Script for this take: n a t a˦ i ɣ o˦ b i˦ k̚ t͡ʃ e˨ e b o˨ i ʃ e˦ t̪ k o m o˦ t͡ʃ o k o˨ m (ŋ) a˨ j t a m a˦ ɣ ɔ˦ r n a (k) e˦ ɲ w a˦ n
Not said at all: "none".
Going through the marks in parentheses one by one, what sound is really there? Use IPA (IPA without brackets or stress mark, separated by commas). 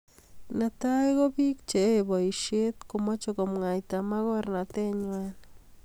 ŋ, t